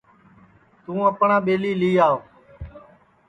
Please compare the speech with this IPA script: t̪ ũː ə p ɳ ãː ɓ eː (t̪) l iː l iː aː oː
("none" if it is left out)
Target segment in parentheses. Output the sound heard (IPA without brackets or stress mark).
none